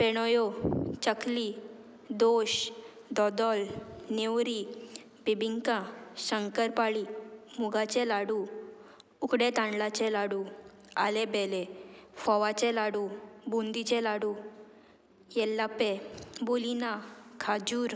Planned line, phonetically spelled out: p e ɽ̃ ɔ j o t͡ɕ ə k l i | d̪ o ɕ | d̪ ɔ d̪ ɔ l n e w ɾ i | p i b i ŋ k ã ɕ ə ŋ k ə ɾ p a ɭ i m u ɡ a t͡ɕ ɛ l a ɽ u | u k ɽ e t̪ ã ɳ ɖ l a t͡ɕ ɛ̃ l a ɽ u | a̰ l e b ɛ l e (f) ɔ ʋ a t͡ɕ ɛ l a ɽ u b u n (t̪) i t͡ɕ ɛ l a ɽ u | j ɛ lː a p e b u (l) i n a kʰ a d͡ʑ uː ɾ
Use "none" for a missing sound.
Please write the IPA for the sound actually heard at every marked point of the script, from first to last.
f, d̪, l

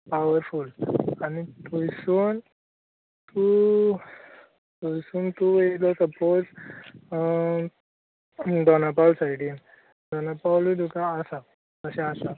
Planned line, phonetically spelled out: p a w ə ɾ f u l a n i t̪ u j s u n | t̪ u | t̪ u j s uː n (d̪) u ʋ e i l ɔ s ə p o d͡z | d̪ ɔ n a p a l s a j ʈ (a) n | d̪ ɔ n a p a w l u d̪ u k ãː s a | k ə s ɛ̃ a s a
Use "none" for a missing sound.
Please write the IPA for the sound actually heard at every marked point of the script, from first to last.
t̪, i

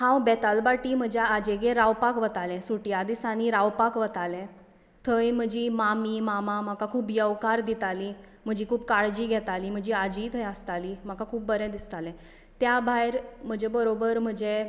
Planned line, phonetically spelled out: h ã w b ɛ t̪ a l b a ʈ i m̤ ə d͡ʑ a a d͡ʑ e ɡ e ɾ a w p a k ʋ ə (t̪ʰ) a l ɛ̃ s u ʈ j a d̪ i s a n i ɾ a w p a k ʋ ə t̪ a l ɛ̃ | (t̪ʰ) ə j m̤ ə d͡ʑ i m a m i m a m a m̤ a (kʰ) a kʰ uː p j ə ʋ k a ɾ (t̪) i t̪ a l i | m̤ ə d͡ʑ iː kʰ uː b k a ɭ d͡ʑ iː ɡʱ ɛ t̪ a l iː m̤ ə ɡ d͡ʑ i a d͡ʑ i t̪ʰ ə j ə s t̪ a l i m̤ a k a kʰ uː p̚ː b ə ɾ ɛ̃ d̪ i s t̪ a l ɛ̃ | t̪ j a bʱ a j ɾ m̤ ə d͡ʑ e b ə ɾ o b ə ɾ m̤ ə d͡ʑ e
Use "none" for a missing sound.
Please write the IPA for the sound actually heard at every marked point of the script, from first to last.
t̪, t̪ʰ, k, d̪

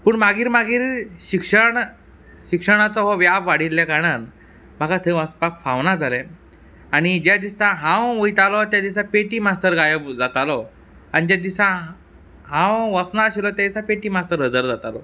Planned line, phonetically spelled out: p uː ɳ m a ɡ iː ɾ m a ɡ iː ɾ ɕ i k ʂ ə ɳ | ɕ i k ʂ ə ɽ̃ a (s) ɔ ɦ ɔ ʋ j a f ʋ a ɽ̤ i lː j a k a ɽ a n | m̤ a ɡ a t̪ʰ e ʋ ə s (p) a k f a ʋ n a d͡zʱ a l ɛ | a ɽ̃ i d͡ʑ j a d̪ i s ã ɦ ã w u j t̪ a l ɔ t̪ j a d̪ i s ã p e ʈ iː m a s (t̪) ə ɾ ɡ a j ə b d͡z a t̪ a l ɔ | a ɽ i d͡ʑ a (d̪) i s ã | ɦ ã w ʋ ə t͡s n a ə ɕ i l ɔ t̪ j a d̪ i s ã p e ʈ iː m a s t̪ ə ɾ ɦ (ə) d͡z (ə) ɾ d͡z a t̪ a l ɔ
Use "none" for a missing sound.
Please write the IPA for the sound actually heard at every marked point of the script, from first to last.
t͡s, p, t̪, d̪, ə, ə

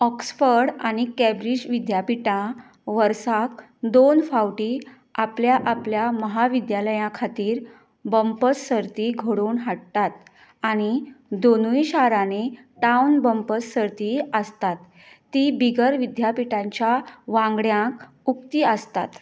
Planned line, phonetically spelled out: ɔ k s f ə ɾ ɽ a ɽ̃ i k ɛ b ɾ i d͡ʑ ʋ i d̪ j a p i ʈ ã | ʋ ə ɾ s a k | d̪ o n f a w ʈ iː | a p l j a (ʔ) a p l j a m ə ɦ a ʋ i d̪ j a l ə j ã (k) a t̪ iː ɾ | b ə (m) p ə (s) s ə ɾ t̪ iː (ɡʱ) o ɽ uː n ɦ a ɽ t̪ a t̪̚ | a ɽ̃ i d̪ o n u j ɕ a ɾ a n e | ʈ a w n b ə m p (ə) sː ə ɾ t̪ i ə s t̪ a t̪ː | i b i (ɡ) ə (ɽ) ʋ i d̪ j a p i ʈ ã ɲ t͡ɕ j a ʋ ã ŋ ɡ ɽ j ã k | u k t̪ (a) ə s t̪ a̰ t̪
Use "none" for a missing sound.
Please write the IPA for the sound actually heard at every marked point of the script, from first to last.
ʔ, kʰ, m, s, ɡʱ, ə, ɡ, ɾ, i

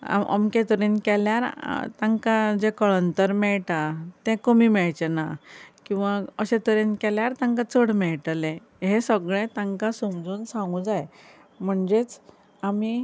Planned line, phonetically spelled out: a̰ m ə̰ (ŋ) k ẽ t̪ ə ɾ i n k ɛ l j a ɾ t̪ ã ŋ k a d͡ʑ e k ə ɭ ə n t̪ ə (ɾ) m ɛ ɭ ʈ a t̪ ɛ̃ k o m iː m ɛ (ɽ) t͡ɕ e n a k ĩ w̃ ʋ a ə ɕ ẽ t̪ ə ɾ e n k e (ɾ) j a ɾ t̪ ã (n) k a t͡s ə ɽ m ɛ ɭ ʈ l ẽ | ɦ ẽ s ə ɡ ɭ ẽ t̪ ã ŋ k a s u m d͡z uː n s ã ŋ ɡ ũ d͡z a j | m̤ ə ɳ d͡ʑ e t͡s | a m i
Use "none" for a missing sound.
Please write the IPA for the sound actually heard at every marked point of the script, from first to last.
m, ɾ, ɭ, l, ŋ

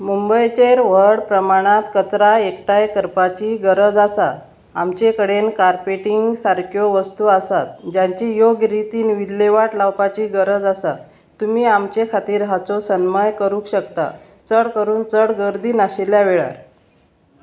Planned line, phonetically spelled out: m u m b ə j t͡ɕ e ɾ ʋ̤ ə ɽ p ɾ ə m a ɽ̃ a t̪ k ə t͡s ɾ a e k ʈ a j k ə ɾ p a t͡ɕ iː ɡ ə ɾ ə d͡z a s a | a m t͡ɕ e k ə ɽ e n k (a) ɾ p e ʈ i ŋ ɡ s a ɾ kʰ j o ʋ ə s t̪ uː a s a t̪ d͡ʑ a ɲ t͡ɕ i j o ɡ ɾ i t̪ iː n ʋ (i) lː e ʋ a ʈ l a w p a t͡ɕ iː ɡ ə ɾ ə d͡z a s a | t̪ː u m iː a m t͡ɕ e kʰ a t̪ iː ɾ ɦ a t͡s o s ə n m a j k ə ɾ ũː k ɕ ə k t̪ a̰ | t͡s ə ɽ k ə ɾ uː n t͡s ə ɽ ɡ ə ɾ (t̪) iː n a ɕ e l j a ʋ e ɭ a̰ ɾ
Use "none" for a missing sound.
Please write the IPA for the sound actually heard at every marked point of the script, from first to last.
a, i, d̪

